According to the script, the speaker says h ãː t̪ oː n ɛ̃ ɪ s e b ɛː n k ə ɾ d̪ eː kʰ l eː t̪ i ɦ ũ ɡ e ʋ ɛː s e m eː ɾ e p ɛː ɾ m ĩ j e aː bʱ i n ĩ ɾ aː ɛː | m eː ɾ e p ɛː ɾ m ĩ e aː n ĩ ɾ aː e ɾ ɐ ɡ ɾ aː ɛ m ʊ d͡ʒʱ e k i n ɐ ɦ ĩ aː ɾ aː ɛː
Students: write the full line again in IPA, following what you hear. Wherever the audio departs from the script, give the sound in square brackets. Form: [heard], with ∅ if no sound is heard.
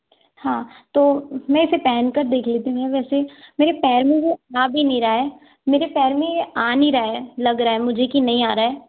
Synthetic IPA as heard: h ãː t̪ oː [m] ɛ̃ ɪ s e [p] ɛː n k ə ɾ d̪ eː kʰ l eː t̪ i ɦ ũ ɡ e ʋ ɛː s e m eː ɾ e p ɛː ɾ m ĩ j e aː bʱ i n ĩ ɾ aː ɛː | m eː ɾ e p ɛː ɾ m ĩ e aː n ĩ ɾ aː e [l] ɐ ɡ ɾ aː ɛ m ʊ d͡ʒʱ e k i n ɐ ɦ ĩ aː ɾ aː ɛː